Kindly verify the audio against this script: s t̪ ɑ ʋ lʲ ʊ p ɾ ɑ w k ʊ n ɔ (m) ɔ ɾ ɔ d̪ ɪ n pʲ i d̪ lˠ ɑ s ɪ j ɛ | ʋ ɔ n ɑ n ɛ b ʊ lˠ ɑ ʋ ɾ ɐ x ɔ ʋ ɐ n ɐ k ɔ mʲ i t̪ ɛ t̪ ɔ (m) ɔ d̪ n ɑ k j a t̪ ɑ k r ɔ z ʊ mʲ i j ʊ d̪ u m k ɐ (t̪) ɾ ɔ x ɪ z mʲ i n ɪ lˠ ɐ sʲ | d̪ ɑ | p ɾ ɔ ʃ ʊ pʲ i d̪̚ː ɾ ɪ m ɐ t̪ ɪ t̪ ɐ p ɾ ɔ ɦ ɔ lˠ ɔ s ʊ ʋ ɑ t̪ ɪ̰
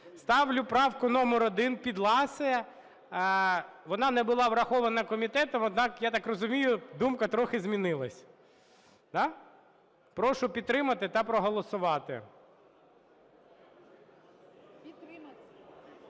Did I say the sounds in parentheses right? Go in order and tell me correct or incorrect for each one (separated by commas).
correct, correct, correct